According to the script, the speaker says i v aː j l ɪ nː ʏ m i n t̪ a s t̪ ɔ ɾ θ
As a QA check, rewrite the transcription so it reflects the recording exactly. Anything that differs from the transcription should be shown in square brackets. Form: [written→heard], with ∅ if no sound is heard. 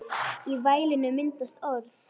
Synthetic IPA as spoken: i v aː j l ɪ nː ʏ m [i→ɪ] n t̪ a s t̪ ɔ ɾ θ